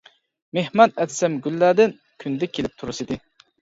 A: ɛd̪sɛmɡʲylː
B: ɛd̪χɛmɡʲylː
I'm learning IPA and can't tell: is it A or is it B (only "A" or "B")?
A